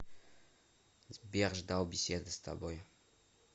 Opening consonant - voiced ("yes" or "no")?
yes